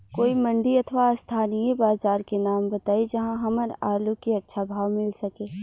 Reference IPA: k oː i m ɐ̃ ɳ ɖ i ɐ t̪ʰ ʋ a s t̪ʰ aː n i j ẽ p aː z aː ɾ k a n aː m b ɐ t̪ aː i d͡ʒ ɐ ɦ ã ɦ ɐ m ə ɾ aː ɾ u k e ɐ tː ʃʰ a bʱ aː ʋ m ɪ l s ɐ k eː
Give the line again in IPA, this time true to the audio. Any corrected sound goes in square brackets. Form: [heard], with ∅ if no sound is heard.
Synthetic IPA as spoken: k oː i m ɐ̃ ɳ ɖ i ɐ t̪ʰ ʋ a s t̪ʰ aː n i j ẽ [b] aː z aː ɾ k [e] n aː m b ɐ t̪ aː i d͡ʒ ɐ ɦ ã ɦ ɐ m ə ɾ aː [l] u k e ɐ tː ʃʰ a bʱ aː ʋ m ɪ l s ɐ k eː